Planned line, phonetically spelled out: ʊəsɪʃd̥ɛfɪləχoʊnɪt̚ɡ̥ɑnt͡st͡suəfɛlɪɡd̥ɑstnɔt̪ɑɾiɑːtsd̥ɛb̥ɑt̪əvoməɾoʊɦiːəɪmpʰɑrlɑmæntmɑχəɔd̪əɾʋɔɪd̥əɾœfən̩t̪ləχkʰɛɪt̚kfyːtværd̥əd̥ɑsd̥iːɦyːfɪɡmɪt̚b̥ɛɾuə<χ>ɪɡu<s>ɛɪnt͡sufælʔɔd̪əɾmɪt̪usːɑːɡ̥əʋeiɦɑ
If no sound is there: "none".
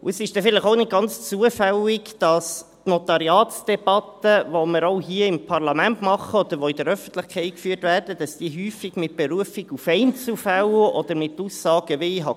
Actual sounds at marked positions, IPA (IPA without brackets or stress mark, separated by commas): f, f